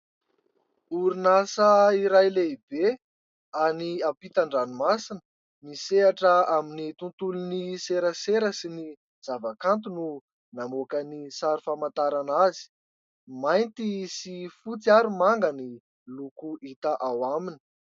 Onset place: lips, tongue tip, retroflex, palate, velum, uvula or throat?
tongue tip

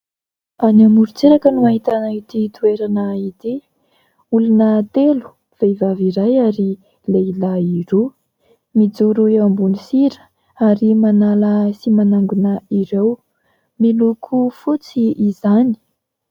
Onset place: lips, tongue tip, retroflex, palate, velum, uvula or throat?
tongue tip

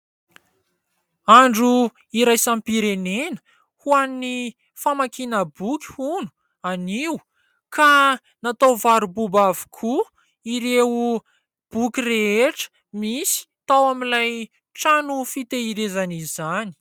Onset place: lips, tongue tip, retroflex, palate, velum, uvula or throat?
retroflex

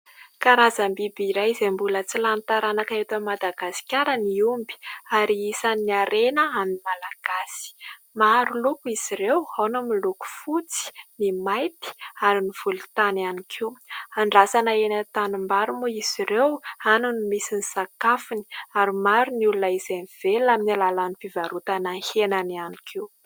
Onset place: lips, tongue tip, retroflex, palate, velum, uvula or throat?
velum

